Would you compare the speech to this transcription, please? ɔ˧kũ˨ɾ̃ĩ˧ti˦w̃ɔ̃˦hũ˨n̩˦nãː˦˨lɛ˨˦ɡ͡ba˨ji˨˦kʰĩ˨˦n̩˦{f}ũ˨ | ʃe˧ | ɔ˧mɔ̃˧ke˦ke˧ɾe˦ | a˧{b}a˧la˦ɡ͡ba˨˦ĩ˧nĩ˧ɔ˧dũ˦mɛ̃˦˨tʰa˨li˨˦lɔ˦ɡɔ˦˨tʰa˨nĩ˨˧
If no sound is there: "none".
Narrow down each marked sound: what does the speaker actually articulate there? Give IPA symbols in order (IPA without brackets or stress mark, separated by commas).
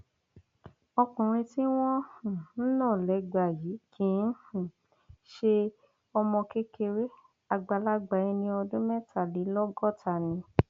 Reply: h, ɡ͡b